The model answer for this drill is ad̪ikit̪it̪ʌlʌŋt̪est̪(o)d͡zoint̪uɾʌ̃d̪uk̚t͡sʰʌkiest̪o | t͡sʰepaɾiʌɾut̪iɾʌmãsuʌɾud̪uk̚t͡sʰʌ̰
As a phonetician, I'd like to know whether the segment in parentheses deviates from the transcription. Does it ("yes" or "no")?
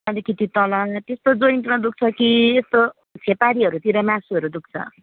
no